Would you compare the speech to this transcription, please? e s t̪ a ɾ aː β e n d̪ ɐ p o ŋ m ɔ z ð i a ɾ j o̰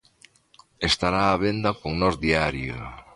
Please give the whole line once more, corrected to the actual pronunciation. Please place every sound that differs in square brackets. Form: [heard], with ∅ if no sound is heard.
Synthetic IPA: e s t̪ a ɾ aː β e n d̪ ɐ [k] o ŋ [n] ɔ z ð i a ɾ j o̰